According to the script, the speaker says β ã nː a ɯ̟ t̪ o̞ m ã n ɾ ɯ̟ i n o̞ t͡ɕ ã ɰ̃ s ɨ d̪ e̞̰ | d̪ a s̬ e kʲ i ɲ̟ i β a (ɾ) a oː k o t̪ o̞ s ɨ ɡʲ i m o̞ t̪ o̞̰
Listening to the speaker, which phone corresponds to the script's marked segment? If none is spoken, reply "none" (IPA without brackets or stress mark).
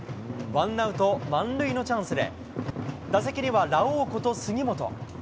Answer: ɾ